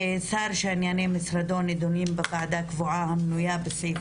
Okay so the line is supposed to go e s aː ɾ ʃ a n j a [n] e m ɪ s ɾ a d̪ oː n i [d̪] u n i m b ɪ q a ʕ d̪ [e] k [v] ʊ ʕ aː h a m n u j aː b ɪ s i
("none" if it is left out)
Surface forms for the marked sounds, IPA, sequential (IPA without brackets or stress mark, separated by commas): n, d̪, a, v